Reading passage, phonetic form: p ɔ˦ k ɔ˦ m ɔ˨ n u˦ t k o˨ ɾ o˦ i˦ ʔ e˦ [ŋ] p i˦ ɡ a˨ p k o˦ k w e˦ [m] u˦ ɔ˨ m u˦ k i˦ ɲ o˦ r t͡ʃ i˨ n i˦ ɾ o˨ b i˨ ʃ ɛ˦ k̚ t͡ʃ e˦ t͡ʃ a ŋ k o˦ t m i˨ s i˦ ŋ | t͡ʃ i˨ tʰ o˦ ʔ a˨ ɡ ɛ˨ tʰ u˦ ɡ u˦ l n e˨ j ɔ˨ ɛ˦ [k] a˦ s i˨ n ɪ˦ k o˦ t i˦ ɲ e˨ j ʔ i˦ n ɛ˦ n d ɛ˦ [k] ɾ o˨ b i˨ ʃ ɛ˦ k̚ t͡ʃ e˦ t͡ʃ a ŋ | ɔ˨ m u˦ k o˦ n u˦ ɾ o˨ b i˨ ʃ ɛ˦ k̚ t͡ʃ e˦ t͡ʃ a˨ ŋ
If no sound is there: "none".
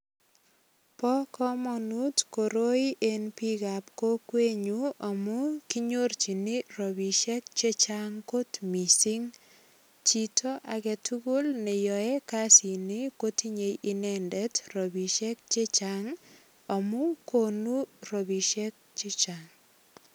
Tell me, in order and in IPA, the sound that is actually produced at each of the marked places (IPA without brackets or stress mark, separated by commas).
n, ɲ, k, t